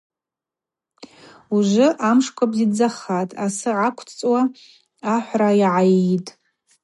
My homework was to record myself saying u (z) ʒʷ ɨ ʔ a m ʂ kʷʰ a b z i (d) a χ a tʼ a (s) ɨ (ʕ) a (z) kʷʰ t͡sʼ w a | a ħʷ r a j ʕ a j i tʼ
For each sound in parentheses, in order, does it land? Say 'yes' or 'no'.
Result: no, no, yes, yes, no

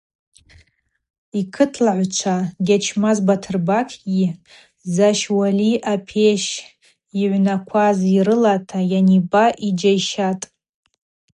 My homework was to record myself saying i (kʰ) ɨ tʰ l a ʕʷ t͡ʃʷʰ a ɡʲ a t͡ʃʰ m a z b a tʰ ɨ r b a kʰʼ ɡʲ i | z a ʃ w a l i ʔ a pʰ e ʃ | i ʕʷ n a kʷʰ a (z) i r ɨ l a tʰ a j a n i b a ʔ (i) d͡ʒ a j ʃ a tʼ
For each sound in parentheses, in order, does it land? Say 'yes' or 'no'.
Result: yes, yes, yes

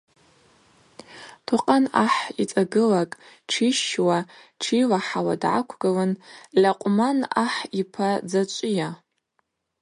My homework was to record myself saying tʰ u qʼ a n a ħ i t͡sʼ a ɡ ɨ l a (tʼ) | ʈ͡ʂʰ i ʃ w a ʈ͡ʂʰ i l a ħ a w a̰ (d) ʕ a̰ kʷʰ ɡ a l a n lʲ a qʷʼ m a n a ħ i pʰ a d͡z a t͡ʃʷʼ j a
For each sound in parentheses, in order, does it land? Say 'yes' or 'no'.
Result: no, yes

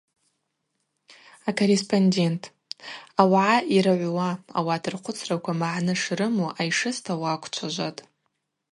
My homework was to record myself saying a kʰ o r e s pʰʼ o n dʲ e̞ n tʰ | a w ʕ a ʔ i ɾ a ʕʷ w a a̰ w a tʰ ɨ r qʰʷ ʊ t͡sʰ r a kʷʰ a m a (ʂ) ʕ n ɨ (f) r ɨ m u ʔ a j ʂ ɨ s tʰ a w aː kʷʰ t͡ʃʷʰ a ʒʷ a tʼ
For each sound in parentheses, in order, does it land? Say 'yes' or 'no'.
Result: no, no

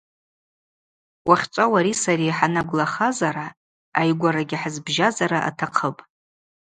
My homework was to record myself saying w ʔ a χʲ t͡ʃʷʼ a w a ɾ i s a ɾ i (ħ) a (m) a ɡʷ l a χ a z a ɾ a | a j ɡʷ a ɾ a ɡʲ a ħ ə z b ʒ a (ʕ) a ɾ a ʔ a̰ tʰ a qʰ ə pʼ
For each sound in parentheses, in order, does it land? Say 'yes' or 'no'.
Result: yes, no, no

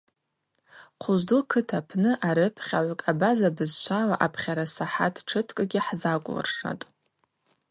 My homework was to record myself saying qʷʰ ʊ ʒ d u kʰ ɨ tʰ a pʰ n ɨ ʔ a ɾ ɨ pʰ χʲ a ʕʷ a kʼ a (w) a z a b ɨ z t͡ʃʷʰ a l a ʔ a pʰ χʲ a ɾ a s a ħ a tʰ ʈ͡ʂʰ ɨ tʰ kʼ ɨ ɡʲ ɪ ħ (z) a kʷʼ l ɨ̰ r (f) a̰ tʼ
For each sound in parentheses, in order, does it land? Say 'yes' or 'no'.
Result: no, yes, no

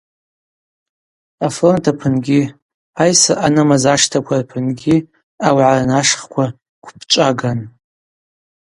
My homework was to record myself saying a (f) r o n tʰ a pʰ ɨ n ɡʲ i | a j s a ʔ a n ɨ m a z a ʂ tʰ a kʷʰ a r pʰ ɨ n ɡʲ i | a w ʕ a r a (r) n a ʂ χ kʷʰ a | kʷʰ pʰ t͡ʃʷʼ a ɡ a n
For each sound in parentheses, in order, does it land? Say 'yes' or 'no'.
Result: yes, no

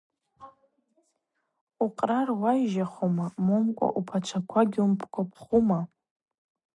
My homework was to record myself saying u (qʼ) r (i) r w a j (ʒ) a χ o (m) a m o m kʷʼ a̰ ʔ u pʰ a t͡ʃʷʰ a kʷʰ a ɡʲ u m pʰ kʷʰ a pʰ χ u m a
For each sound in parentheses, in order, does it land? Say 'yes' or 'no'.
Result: yes, no, yes, yes

